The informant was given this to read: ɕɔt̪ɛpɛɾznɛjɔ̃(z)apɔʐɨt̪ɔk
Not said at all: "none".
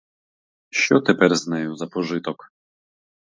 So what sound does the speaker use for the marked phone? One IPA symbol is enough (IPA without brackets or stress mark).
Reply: z